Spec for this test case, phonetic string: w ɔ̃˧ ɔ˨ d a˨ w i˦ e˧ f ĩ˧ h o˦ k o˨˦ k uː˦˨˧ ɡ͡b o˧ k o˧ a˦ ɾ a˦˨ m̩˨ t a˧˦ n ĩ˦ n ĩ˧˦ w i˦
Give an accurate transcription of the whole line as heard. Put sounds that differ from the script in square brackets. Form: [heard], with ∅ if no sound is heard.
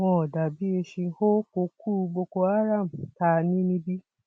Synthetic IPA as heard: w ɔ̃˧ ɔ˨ d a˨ [b] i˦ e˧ [ʃ] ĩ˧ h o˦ k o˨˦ k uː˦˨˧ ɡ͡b o˧ k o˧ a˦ ɾ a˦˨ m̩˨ t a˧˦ n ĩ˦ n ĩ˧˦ [b] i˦